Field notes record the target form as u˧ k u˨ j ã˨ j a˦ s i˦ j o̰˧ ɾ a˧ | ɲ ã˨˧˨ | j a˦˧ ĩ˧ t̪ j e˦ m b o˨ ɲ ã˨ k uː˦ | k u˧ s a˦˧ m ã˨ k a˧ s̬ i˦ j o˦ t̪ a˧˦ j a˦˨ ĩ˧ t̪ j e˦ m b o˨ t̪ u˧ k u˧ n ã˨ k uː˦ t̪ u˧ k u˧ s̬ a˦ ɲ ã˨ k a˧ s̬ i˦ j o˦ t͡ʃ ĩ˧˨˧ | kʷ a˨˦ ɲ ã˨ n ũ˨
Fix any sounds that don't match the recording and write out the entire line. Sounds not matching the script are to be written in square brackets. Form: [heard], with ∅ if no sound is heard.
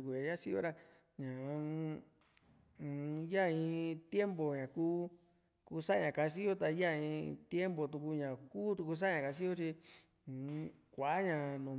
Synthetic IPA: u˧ k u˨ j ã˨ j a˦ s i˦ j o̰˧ ɾ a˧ | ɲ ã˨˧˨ | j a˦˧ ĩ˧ t̪ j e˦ m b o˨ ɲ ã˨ k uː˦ | k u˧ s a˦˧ [ɲ] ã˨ k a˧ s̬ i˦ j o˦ t̪ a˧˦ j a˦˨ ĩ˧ t̪ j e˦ m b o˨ t̪ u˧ k u˧ [ɲ] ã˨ k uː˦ t̪ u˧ k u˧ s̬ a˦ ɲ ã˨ k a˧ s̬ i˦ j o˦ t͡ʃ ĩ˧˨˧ | kʷ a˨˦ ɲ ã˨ n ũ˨